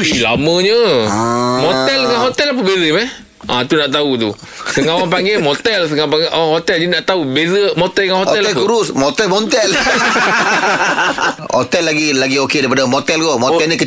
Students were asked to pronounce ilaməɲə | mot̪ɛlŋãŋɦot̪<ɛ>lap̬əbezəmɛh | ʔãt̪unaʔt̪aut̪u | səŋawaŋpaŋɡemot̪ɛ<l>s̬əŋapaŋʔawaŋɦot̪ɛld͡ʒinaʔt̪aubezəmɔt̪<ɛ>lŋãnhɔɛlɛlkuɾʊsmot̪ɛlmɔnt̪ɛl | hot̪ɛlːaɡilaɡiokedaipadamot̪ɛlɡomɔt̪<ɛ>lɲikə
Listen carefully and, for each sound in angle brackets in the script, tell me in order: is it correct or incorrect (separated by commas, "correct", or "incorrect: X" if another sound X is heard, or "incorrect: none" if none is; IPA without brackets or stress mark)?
correct, correct, correct, correct